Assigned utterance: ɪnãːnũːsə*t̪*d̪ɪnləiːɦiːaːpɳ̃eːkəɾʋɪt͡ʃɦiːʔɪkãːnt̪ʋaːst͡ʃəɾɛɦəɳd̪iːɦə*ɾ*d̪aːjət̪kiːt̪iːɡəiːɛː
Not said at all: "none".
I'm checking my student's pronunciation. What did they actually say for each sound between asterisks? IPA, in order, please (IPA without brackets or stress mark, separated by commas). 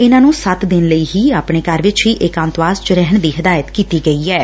t̪, none